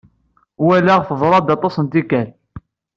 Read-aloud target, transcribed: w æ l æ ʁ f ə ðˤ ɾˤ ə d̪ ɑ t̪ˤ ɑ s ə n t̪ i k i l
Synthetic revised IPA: w æ l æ ʁ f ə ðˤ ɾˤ ɑ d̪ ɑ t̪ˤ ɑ s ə n t̪ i k æ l